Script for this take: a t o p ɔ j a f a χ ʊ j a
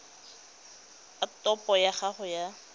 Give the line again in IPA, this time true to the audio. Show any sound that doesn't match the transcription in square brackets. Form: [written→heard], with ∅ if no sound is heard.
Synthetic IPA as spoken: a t [o→ɔ] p ɔ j a [f→χ] a χ ʊ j a

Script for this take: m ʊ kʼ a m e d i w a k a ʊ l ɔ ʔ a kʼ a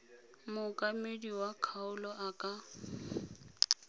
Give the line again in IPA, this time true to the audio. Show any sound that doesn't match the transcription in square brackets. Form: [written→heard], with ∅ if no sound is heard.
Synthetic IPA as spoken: m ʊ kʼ a m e d i w a [k→kʰ] a ʊ l ɔ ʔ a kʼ a

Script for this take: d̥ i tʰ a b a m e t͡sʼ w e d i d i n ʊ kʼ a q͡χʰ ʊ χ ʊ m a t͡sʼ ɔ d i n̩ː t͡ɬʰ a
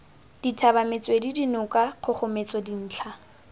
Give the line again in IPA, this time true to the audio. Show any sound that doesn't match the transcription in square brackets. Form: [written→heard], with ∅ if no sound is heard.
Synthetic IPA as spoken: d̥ i tʰ a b a m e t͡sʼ w e d i d i n ʊ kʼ a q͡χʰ ʊ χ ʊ m [a→e] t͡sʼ ɔ d i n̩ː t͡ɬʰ a

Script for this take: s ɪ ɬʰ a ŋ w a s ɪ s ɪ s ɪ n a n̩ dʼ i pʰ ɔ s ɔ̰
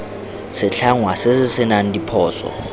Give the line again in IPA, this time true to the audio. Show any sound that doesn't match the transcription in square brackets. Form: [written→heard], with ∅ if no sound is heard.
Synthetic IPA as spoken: s ɪ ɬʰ a ŋ w a s ɪ s ɪ s ɪ n a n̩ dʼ i pʰ [ɔ→ɔː] s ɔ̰

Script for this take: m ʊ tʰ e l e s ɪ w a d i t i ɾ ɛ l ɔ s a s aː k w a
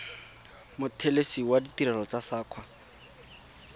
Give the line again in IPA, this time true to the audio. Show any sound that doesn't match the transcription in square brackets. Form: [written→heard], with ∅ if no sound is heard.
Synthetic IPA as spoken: m ʊ tʰ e l e s [ɪ→i] w a d i t i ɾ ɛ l ɔ [s→t͡s] a s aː [k→kʰ] w a

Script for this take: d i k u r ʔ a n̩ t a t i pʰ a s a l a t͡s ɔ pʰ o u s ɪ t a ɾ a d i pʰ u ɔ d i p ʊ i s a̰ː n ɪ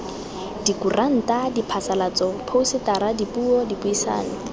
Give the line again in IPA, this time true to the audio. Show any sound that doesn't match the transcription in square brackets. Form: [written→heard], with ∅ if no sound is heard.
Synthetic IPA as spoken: d i k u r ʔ a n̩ t a [t→d] i pʰ a s a l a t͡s ɔ pʰ o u s ɪ t a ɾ a d i [pʰ→p] u ɔ d i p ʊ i s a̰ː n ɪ

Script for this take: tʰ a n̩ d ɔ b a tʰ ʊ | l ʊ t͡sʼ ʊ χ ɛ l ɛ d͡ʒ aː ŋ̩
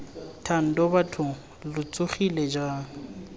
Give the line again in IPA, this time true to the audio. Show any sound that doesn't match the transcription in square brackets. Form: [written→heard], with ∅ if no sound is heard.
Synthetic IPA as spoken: tʰ a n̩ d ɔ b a tʰ ʊ | l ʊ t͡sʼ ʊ χ [ɛ→i] l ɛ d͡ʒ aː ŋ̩

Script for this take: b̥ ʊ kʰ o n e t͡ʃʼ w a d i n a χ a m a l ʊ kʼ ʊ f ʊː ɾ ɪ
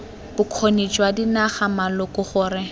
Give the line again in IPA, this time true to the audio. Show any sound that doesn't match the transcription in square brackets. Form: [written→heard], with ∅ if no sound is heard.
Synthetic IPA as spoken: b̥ ʊ kʰ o n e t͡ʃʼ w a d i n a χ a m a l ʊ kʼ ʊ [f→χ] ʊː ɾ ɪ

